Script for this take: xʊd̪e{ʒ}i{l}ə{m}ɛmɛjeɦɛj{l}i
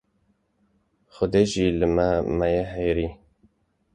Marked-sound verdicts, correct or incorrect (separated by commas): correct, correct, correct, incorrect